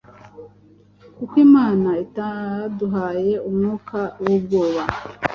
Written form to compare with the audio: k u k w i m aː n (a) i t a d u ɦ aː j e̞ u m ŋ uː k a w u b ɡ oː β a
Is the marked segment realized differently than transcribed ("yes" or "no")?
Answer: no